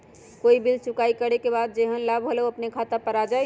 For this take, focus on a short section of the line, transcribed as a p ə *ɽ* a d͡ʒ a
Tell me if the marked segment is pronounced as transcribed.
no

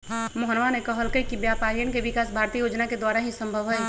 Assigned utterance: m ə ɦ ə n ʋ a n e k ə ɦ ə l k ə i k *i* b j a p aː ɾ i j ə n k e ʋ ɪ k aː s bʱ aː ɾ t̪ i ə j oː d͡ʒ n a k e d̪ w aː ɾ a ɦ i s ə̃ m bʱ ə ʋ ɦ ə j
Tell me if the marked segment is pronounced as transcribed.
yes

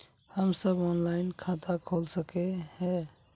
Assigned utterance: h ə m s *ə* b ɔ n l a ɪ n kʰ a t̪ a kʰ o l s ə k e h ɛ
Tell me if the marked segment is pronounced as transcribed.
yes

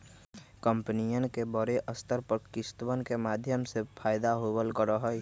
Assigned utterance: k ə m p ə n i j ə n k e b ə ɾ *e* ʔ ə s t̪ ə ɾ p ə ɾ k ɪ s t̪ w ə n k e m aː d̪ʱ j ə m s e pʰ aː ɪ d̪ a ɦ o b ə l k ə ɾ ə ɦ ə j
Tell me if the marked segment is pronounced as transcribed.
yes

